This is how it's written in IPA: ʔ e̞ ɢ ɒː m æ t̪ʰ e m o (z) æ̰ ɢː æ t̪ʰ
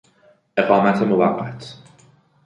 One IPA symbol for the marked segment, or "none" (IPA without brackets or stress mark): v